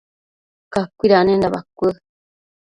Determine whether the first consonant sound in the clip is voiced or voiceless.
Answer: voiceless